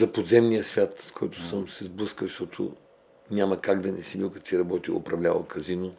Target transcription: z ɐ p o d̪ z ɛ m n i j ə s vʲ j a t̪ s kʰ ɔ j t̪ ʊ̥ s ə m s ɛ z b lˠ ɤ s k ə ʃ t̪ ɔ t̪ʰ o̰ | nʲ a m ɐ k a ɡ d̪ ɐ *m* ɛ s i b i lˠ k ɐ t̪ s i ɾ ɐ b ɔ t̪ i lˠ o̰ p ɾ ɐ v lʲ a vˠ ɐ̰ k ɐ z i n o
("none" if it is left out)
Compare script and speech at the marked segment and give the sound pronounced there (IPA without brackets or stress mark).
n